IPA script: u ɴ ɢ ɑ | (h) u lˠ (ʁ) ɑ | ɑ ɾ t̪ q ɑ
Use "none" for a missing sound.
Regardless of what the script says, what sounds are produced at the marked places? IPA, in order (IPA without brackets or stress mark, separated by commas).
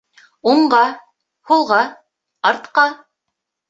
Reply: h, ʁ